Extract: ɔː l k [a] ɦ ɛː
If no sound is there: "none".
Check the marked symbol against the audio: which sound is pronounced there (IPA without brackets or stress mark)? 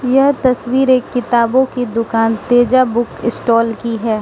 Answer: i